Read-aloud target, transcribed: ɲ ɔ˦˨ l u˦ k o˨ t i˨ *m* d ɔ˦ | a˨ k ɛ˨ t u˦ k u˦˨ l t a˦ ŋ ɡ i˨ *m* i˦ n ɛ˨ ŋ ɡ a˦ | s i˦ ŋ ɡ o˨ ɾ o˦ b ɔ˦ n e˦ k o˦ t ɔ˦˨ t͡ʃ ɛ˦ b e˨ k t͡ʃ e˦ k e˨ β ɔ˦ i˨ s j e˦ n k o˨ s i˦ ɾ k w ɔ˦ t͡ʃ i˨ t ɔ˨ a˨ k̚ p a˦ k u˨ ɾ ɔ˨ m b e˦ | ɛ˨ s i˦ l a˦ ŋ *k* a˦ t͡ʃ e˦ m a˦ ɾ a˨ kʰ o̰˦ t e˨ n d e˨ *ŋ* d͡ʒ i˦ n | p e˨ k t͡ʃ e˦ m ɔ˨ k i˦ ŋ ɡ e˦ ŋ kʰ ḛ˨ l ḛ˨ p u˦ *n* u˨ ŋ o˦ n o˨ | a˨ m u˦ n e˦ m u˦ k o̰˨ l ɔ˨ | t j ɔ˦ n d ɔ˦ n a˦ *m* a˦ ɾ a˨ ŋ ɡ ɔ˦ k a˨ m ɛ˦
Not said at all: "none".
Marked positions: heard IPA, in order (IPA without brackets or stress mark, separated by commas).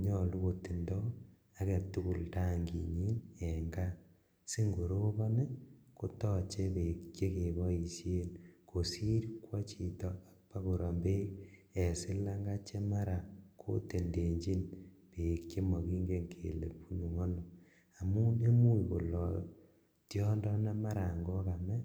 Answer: n, ɲ, ɡ, ɲ, n, m